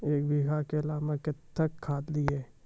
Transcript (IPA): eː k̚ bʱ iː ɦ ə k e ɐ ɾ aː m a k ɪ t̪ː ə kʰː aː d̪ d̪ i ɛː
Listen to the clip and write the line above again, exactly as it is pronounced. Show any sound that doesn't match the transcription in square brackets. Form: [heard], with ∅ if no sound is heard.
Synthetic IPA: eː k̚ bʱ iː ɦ [a] k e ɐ [l] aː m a k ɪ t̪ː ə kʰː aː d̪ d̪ i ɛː